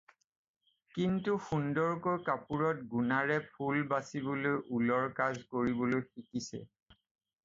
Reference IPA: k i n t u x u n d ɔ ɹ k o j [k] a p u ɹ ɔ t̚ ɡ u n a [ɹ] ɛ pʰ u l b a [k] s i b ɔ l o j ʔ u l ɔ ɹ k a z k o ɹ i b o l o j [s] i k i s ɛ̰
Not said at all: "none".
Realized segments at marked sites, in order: k, ɹ, none, x

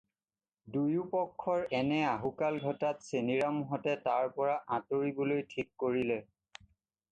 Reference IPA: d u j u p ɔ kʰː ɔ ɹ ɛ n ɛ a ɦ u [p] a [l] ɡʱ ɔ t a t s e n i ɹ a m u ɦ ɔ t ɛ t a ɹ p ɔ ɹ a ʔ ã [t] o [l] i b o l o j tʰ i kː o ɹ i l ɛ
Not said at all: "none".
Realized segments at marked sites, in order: k, l, t, ɹ

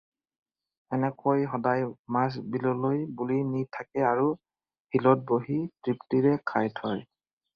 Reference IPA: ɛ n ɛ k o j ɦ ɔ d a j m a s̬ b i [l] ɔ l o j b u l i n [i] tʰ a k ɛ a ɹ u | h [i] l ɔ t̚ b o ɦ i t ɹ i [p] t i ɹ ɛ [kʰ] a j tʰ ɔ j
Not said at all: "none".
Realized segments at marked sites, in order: l, i, i, p, kʰ

